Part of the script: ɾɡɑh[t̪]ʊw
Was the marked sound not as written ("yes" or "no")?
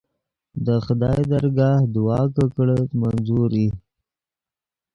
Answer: yes